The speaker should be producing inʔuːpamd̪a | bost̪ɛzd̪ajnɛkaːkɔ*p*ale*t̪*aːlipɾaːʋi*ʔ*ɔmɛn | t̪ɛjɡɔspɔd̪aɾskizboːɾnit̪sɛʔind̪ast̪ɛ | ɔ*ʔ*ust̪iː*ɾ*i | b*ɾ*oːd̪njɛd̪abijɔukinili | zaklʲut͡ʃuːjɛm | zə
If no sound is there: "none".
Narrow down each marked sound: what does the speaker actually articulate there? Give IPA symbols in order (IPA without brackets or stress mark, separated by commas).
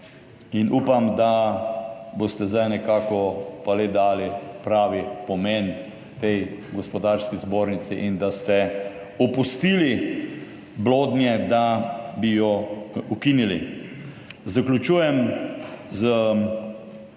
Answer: p, d̪, p, p, l, l